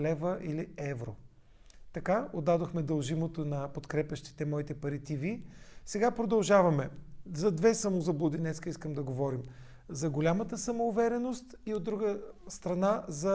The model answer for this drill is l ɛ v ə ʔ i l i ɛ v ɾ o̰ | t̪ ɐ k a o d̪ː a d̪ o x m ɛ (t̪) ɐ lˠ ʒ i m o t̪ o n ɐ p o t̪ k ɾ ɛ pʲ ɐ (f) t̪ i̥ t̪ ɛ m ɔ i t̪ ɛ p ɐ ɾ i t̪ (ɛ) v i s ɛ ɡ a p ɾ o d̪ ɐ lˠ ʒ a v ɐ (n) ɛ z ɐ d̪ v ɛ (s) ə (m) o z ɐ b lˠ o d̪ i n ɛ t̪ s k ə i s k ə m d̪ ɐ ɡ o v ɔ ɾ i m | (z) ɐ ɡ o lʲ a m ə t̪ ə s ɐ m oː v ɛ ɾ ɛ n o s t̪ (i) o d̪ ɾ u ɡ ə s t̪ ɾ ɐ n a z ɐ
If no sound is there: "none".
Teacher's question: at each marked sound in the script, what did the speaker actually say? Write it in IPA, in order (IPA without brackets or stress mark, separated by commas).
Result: d̪, ʃ, i, m, s, m, z, i